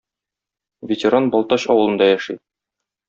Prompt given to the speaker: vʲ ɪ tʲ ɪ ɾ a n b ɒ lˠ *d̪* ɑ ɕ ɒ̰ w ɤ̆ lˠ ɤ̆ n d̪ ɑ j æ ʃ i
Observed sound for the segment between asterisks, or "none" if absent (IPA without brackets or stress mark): t̪